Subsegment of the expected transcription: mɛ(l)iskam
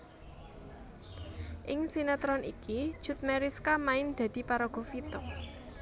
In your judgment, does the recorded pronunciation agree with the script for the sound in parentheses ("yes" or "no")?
no